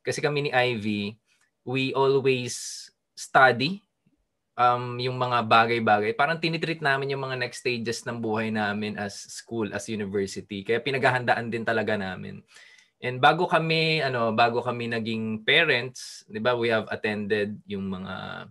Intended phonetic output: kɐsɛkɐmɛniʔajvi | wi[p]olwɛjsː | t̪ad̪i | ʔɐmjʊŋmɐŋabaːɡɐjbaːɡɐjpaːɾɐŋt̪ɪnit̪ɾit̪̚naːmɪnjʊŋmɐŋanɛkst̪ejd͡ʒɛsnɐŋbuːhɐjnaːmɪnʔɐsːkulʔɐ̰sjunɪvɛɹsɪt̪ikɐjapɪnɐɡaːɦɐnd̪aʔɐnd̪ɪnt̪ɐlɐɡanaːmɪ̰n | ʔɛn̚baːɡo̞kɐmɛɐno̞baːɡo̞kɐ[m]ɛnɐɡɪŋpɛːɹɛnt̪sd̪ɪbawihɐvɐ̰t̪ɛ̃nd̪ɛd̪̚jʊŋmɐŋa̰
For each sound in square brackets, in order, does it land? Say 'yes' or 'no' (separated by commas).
no, yes